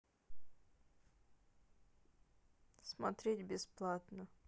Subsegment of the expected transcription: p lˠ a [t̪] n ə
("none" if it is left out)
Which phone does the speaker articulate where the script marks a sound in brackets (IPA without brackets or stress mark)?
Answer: t̪